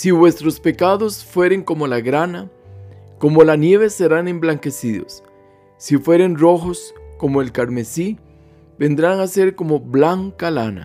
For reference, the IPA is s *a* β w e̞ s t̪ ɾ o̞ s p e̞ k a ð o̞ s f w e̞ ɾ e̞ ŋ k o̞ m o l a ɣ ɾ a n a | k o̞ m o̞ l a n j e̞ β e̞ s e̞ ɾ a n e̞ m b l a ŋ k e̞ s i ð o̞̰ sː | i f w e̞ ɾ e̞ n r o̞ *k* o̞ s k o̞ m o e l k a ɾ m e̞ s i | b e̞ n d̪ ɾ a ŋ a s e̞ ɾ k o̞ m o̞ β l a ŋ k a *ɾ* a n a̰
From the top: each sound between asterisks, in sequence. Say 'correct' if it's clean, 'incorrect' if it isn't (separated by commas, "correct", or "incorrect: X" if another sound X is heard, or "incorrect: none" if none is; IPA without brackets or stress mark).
incorrect: i, incorrect: x, incorrect: l